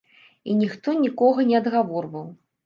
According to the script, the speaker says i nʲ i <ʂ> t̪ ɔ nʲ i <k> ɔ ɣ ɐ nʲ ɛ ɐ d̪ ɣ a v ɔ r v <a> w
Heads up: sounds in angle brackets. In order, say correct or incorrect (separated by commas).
incorrect, correct, incorrect